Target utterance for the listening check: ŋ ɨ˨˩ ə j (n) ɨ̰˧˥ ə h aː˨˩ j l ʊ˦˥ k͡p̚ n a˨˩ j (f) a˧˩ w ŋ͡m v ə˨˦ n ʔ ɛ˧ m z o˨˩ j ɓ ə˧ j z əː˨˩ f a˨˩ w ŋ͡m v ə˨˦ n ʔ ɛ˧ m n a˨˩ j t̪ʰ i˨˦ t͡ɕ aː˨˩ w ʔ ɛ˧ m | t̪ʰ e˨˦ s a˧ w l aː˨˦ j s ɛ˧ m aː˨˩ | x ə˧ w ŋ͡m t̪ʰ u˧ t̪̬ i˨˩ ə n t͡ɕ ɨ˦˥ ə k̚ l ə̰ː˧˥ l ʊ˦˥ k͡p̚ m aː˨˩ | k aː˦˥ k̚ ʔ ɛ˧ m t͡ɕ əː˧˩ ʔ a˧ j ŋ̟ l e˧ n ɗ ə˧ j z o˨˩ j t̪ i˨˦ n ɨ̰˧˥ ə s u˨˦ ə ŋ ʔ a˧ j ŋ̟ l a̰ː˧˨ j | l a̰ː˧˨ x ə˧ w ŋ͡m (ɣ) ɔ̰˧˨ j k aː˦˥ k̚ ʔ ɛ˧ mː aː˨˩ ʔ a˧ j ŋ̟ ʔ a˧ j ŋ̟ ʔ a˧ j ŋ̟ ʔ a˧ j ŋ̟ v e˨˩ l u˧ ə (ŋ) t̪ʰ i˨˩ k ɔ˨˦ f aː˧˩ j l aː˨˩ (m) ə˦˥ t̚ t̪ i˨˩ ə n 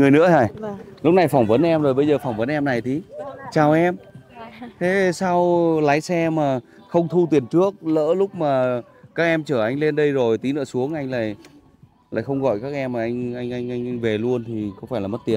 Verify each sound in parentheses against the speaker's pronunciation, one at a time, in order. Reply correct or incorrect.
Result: correct, correct, correct, incorrect: n, correct

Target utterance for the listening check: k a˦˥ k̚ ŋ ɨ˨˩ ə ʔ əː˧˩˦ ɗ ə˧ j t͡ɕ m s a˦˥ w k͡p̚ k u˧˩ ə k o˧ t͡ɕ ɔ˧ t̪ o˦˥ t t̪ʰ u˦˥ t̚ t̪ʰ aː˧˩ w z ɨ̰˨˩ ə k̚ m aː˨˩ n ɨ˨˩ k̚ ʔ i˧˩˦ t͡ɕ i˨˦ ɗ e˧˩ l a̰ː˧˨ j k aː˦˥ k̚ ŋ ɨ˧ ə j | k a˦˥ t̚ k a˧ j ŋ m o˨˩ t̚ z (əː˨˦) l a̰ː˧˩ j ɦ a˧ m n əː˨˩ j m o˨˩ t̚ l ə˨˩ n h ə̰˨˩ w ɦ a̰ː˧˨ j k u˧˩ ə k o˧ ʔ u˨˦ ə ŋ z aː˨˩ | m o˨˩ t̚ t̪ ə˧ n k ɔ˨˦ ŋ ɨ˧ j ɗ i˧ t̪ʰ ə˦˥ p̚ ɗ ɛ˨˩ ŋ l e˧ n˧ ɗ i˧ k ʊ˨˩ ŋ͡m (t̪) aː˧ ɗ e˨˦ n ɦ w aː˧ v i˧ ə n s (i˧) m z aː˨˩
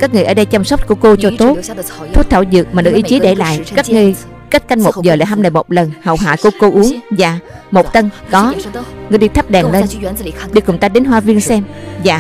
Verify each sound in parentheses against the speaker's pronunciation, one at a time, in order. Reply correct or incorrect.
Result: incorrect: əː˨˩, correct, incorrect: ɛ˧

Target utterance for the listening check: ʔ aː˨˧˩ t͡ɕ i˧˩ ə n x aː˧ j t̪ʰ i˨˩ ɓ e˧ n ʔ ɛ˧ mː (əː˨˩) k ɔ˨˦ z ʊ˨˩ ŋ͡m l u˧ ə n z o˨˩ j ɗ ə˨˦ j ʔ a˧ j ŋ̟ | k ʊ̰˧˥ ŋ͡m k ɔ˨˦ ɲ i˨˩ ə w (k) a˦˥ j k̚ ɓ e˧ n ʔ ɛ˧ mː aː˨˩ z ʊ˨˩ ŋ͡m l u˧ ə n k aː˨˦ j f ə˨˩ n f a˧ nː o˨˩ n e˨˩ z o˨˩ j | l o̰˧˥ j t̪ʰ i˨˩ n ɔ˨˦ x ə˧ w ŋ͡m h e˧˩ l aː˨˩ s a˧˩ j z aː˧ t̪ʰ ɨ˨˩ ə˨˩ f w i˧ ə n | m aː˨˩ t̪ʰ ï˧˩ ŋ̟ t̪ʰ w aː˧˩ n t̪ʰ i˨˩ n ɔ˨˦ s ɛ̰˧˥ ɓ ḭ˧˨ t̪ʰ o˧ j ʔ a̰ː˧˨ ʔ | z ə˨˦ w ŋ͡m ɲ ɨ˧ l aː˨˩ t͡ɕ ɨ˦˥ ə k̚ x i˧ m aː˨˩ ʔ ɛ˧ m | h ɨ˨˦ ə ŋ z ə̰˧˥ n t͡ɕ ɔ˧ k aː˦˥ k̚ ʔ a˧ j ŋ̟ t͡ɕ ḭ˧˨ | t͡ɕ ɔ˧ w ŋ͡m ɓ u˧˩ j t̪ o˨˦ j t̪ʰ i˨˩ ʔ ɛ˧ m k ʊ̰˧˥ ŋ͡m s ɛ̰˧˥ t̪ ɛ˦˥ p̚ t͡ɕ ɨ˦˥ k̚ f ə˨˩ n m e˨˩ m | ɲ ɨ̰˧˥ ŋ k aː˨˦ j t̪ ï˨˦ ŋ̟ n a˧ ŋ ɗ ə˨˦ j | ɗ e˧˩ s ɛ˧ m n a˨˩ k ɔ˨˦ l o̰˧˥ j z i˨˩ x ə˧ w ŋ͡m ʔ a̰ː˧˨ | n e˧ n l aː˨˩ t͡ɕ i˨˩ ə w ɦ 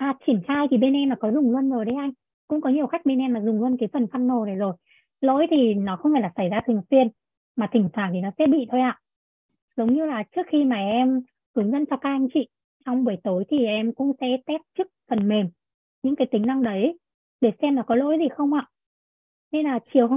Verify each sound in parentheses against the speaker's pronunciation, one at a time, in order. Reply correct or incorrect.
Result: incorrect: aː˨˩, incorrect: x

